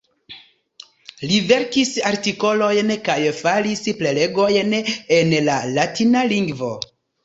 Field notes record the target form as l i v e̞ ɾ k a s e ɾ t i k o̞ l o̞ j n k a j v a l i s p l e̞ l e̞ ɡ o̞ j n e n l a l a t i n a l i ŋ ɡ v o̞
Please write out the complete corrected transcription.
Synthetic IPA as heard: l i v e̞ ɾ k i s a ɾ t i k o̞ l o̞ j n k a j f a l i s p l e̞ l e̞ ɡ o̞ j n e n l a l a t i n a l i ŋ ɡ v o̞

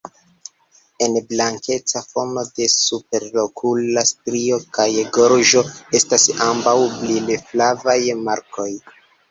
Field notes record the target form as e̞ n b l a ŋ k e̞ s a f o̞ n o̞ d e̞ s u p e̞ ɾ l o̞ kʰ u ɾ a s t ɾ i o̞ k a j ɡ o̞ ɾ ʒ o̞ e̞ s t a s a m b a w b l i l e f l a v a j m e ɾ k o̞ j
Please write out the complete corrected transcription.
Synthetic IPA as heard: e̞ n b l a ŋ k e̞ t͡s a f o̞ n o̞ d e̞ s u p e̞ ɾ l o̞ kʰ u l a s t ɾ i o̞ k a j ɡ o̞ ɾ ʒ o̞ e̞ s t a s a m b a w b l i l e f l a v a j m a ɾ k o̞ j

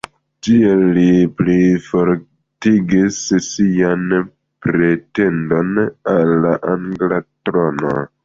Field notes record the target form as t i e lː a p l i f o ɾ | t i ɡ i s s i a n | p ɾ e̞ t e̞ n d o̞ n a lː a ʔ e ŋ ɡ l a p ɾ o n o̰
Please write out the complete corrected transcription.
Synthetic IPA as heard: t i e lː i p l i f o ɾ | t i ɡ i s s i a n | p ɾ e̞ t e̞ n d o̞ n a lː a ʔ a ŋ ɡ l a t ɾ o n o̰

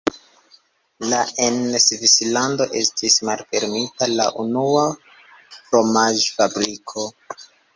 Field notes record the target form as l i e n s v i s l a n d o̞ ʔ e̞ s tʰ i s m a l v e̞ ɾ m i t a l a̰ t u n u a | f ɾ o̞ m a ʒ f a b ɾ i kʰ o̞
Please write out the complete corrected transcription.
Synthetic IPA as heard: l a e n s v i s l a n d o̞ ʔ e̞ s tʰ i s m a l f e̞ ɾ m i t a l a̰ ʔ u n u a | f ɾ o̞ m a ʒ f a b ɾ i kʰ o̞

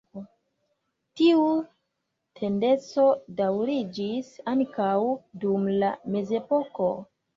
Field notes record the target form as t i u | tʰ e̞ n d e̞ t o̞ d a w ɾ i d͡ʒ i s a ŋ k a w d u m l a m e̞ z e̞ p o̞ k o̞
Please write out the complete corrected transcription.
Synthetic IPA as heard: t i u | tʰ e̞ n d e̞ t͡s o̞ d a w ɾ i d͡ʒ i s a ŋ k a w d u m l a m e̞ z e̞ p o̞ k o̞

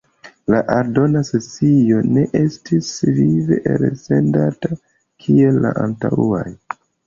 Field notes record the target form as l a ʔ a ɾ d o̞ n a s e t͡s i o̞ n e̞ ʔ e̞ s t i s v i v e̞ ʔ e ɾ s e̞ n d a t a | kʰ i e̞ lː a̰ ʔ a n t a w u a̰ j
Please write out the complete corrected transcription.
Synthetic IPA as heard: l a ʔ a ɾ d o̞ n a s e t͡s i o̞ n e̞ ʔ e̞ s t i s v i v e̞ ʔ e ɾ s e̞ n d a t a | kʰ i e̞ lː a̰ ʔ a n t a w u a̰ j

